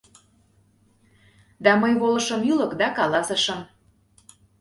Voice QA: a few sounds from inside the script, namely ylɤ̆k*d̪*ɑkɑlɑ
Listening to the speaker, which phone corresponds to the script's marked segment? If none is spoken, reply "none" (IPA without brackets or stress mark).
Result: d̪